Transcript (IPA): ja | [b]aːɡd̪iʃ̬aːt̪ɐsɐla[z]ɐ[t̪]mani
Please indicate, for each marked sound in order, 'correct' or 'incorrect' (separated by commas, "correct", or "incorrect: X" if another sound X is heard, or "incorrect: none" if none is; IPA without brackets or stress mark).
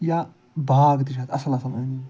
correct, incorrect: s, incorrect: none